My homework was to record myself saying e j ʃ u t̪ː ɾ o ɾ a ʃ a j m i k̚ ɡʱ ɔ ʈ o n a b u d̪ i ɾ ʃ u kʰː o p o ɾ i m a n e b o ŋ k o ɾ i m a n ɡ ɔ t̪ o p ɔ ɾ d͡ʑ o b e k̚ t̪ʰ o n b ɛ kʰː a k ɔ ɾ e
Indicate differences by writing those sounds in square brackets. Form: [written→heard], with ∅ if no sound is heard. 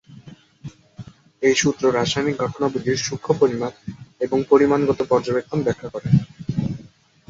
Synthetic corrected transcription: e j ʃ u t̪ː ɾ o ɾ a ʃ a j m i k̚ ɡʱ ɔ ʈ o n a b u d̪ i ɾ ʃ u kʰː o p o ɾ i m a n e b o ŋ [k→p] o ɾ i m a n ɡ ɔ t̪ o p ɔ ɾ d͡ʑ o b e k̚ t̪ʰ o n b ɛ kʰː a k ɔ ɾ e